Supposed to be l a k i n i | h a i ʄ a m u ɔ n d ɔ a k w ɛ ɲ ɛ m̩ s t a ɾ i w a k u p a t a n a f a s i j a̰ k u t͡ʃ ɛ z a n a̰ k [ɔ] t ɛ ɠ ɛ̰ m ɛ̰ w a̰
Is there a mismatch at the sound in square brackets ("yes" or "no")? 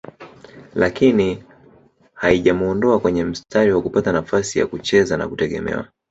yes